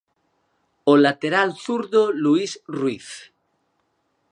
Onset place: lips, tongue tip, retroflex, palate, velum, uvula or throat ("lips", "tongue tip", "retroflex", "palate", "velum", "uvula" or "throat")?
tongue tip